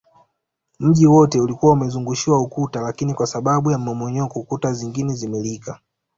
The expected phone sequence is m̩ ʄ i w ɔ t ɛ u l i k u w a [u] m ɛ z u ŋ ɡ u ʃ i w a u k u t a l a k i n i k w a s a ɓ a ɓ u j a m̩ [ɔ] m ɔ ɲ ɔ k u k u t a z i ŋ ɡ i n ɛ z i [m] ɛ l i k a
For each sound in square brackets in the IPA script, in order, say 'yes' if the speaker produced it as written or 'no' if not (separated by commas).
yes, yes, yes